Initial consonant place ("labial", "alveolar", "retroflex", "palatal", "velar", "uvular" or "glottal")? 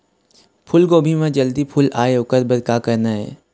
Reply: labial